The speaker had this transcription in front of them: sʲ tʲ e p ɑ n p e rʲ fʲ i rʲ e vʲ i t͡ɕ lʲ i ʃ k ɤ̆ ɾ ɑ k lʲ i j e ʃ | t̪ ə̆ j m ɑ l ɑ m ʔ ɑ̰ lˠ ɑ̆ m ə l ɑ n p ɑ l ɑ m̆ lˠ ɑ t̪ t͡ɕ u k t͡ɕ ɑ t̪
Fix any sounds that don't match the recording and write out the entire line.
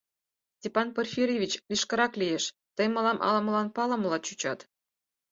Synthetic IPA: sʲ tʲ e p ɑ n p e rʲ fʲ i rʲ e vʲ i t͡ɕ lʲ i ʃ k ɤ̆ ɾ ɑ k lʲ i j e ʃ | t̪ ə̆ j m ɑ l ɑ m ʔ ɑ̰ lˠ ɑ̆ m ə l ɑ n p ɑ l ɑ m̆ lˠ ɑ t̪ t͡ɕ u t͡ɕ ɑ t̪